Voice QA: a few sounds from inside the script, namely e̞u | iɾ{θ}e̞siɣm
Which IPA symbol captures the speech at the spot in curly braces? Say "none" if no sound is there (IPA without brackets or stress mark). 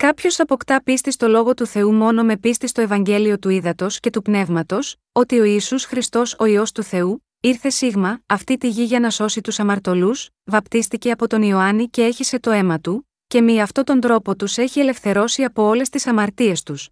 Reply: θ